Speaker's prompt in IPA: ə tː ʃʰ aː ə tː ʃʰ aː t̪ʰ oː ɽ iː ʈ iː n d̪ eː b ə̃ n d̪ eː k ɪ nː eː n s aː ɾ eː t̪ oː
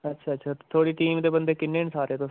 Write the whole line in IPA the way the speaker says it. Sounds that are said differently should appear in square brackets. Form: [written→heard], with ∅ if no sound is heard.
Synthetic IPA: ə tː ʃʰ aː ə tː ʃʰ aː t̪ʰ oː ɽ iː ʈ iː [n→m] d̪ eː b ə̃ n d̪ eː k ɪ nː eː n s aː ɾ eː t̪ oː